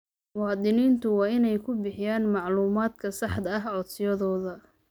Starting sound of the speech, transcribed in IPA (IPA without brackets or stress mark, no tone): w